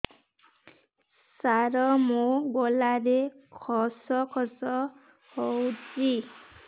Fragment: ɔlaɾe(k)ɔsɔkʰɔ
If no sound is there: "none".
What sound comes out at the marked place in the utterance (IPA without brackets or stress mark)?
kʰ